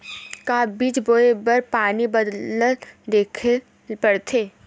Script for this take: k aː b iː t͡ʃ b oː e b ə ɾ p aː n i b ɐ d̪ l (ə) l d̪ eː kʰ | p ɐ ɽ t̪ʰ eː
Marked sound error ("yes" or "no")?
no